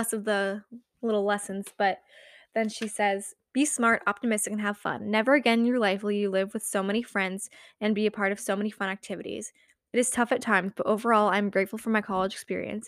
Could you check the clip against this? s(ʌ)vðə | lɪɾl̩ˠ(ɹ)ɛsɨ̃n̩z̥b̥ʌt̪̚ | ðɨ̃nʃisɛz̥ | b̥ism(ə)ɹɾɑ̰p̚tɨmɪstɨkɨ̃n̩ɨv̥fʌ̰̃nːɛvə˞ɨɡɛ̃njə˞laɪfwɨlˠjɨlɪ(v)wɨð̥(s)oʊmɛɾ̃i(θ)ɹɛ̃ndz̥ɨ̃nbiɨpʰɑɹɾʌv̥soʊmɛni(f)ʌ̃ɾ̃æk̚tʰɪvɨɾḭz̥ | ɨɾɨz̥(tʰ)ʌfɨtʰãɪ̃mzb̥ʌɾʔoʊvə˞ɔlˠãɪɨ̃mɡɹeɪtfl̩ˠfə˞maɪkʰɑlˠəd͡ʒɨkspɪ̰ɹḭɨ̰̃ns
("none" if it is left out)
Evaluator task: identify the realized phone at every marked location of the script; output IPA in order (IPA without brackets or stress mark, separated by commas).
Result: ʌ, l, ɑ, v, s, f, f, tʰ